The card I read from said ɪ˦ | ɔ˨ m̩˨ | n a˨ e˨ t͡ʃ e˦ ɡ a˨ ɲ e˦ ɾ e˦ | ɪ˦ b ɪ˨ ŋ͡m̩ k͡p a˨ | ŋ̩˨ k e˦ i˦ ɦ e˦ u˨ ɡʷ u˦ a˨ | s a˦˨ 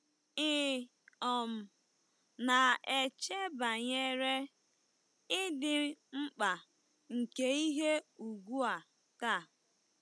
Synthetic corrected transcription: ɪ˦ | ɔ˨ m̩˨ | n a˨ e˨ t͡ʃ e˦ b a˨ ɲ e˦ ɾ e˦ | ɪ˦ d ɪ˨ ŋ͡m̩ k͡p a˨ | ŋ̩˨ k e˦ i˦ ɦ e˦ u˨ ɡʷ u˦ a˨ | t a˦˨